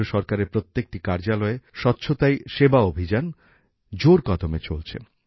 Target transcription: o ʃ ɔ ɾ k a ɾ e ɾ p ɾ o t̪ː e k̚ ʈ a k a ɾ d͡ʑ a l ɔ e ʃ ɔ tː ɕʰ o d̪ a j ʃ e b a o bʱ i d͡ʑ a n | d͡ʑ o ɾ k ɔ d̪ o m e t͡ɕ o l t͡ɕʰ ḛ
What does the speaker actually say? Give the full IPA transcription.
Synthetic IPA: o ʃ ɔ ɾ k a ɾ e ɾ p ɾ o t̪ː e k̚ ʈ i k a ɾ d͡ʑ a l ɔ e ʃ ɔ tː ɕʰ o t̪ a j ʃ e b a o bʱ i d͡ʑ a n | d͡ʑ o ɾ k ɔ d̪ o m e t͡ɕ o l t͡ɕʰ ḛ